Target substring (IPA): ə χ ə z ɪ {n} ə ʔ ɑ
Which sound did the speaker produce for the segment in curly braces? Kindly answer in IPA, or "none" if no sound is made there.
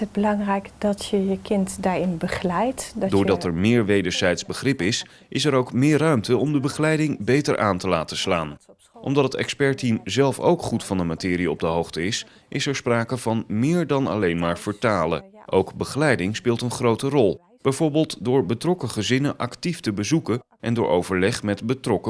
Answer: n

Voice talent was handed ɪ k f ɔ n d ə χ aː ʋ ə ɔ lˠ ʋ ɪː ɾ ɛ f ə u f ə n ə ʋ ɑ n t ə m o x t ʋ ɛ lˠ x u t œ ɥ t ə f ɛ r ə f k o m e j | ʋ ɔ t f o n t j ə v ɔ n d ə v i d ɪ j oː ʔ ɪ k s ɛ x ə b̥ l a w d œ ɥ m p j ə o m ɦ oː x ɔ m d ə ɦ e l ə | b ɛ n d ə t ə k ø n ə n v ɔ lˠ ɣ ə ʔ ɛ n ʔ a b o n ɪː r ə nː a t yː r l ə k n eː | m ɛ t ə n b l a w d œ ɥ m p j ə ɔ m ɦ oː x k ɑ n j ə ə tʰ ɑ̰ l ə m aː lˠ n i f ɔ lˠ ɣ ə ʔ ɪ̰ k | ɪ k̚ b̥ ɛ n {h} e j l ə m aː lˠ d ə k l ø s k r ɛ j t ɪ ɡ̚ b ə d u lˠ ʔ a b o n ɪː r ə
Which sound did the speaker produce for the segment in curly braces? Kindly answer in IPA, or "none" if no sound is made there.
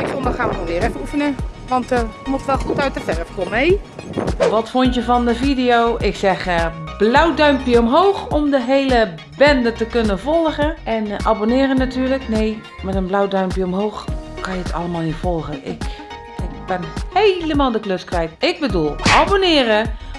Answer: h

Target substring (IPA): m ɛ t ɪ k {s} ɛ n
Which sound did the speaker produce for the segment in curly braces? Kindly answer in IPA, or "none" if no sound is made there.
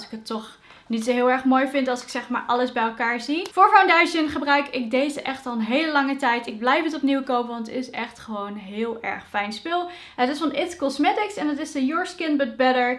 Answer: s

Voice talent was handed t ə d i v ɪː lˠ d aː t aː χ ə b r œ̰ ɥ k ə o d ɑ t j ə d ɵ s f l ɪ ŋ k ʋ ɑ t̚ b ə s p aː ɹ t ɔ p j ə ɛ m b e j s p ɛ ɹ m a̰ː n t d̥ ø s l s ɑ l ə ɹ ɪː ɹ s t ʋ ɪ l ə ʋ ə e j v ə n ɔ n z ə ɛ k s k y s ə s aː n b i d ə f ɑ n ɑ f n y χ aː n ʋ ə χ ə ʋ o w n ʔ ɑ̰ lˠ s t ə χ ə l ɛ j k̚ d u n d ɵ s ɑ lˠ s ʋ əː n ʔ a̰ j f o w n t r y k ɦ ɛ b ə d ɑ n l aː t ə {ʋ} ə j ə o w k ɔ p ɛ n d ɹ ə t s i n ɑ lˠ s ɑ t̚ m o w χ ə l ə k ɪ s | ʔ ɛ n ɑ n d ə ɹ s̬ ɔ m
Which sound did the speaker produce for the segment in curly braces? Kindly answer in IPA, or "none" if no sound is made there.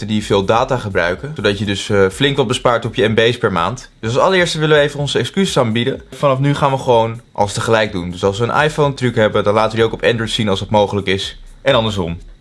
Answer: ʋ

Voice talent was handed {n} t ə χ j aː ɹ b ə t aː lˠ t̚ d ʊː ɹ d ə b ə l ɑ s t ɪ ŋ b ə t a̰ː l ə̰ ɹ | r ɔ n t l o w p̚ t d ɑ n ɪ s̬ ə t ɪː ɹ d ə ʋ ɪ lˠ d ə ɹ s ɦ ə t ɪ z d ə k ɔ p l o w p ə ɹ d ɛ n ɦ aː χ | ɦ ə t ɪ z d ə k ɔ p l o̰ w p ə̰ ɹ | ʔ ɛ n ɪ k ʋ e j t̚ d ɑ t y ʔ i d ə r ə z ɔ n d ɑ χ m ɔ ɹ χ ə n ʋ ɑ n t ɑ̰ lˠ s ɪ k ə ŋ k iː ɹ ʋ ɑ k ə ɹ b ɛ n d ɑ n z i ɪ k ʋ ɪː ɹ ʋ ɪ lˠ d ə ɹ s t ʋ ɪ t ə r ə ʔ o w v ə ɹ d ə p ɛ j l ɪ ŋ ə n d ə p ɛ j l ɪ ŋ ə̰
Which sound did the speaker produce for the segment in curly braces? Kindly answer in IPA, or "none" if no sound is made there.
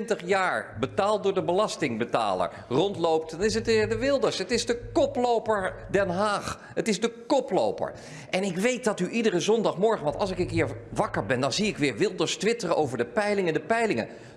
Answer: n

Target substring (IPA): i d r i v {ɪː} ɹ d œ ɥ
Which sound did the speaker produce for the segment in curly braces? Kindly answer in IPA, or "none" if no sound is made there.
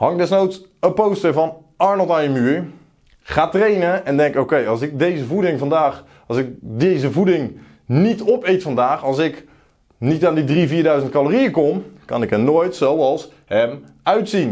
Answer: iː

